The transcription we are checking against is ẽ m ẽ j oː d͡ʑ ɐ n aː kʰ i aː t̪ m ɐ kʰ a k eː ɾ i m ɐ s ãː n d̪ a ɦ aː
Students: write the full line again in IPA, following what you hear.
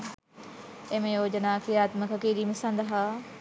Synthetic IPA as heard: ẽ m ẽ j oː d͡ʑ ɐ n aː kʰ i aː t̪ m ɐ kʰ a k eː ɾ i m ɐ s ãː n d̪ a ɦ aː